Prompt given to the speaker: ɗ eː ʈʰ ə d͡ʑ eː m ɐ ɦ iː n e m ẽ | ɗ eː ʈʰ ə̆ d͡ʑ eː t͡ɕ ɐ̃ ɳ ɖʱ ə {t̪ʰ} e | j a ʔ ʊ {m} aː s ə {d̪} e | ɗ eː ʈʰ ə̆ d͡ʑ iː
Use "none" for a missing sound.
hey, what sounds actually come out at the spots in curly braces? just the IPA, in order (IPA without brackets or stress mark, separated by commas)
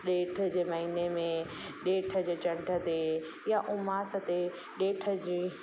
t̪, m, t̪